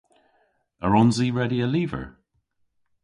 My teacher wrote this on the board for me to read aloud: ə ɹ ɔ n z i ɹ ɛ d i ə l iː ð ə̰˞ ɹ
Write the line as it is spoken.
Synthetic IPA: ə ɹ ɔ n z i ɹ ɛ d i ə l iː v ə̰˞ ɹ